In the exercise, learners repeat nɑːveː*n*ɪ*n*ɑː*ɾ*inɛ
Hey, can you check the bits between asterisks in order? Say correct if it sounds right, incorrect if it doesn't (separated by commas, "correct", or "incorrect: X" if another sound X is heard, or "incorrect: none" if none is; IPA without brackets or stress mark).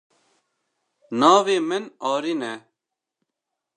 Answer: incorrect: m, correct, correct